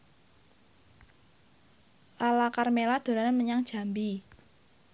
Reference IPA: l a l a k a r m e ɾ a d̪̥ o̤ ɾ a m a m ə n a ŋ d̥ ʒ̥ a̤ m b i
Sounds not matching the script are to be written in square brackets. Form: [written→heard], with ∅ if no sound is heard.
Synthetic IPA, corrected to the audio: l a l a k a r m e [ɾ→l] a d̪̥ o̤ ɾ a [m→n] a m ə [n→ɲ] a ŋ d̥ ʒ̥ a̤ m b i